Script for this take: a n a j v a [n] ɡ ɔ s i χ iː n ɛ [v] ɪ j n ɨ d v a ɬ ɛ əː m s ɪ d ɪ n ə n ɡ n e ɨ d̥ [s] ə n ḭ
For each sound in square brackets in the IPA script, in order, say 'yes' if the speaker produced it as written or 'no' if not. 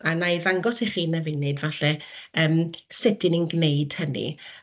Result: no, yes, no

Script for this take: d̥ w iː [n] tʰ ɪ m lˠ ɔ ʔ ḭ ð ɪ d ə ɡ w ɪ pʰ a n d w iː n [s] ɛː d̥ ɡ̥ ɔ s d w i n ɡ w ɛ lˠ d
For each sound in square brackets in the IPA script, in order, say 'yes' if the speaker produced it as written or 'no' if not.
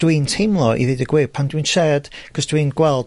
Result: yes, no

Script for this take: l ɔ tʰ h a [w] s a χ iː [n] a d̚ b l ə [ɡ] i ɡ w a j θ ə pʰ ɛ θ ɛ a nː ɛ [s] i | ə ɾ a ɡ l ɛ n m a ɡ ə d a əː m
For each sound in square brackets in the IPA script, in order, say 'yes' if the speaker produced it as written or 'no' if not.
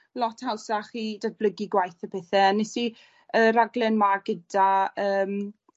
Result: yes, no, yes, yes

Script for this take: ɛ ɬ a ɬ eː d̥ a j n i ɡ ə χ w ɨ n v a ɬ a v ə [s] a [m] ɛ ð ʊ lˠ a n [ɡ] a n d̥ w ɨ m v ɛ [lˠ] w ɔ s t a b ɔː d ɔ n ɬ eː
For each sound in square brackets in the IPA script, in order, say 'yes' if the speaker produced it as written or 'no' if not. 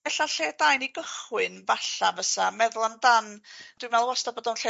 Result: yes, yes, no, yes

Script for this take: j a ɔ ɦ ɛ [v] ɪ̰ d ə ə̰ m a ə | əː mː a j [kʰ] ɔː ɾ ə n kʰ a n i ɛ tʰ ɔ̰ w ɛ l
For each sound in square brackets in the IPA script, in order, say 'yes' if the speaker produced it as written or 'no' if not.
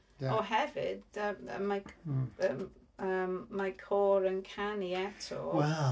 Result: yes, yes

